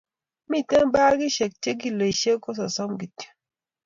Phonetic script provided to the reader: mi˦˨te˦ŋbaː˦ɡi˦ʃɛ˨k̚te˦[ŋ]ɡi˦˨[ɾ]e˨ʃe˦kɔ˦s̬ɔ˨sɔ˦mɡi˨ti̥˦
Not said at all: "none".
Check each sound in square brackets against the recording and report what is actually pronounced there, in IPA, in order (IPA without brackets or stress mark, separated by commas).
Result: none, l